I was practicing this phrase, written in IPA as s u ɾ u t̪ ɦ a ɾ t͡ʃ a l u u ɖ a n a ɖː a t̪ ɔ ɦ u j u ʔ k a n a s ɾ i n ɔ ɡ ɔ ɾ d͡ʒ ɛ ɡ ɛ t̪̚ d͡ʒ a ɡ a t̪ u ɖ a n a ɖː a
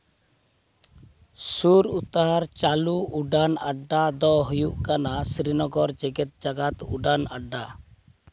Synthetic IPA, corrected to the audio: s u ɾ u t̪ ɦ a ɾ t͡ʃ a l u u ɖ a n a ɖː a d̪ ɔ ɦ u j u ʔ k a n a s ɾ i n ɔ ɡ ɔ ɾ d͡ʒ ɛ ɡ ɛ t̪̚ d͡ʒ a ɡ a t̪ u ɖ a n a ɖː a